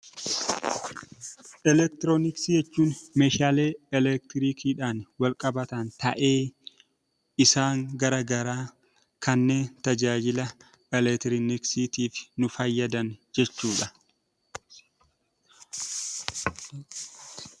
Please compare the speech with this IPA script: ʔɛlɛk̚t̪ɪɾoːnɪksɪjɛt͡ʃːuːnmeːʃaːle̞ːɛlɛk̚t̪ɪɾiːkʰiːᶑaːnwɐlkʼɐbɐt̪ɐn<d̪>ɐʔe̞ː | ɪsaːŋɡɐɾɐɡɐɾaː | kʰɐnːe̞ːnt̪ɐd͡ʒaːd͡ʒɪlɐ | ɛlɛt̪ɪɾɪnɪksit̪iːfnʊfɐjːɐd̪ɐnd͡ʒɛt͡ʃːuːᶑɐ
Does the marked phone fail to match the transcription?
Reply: yes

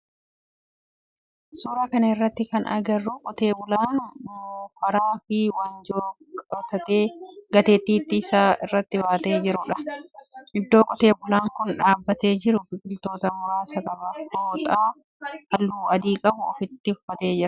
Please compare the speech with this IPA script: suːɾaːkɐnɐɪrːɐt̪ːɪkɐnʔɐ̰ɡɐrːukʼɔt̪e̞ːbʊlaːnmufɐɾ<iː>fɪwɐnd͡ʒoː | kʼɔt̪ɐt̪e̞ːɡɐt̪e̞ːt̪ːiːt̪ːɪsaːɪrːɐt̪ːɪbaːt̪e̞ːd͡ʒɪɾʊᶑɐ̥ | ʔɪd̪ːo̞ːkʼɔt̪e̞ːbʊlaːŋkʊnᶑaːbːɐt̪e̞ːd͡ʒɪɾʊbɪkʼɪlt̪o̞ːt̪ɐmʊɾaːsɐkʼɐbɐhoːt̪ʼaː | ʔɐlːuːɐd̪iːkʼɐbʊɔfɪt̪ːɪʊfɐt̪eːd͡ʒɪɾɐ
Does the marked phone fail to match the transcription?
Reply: yes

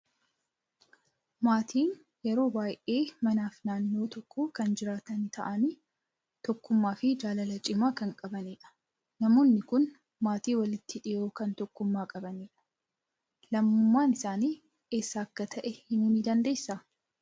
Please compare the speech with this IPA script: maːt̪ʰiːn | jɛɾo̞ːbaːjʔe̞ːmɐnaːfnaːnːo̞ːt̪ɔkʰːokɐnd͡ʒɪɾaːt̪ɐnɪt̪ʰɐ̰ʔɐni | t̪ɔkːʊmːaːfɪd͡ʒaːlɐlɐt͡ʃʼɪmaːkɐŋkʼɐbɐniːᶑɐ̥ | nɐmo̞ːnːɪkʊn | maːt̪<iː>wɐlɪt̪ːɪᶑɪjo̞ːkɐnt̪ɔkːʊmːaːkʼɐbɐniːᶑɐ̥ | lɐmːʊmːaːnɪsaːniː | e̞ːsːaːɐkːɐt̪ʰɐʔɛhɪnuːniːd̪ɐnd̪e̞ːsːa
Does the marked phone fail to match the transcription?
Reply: no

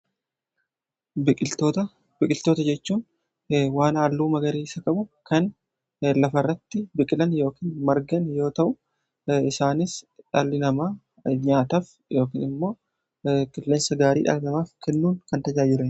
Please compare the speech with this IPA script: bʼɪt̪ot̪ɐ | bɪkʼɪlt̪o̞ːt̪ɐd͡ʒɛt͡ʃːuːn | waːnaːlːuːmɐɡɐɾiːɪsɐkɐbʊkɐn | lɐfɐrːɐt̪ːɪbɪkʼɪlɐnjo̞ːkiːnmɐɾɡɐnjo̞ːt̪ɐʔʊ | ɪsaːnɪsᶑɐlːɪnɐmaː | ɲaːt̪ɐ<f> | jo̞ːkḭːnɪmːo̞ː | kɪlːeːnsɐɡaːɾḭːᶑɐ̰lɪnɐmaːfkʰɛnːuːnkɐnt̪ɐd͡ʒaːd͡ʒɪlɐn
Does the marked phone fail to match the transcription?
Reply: no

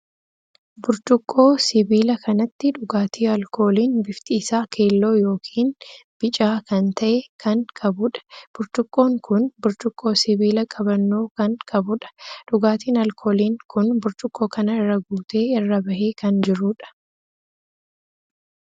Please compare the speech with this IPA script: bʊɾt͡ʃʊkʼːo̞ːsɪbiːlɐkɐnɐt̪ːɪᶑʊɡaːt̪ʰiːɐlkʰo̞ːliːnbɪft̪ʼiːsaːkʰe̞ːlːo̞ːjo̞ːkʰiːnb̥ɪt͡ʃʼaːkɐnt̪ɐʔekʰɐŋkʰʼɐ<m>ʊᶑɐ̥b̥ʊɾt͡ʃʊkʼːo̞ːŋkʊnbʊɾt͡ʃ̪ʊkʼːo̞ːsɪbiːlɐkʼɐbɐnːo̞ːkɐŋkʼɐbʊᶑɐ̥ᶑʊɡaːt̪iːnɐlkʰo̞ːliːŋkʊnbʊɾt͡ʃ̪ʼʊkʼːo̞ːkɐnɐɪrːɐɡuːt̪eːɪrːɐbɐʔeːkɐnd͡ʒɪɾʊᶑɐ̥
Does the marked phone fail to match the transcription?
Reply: yes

